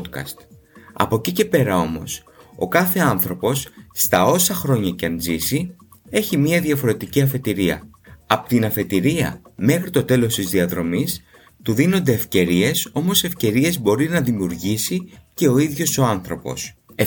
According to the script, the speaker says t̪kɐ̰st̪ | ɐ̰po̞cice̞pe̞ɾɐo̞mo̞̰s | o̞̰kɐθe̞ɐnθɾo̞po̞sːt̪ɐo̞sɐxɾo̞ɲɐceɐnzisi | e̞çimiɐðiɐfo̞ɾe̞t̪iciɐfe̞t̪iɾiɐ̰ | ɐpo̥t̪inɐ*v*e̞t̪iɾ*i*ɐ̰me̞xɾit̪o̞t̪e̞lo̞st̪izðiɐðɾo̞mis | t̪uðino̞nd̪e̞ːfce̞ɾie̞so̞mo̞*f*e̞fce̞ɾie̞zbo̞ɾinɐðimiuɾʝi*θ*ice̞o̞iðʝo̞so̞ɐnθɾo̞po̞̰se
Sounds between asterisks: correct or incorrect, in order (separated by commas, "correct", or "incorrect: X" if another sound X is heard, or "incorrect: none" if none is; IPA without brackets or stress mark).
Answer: incorrect: f, correct, incorrect: s, incorrect: s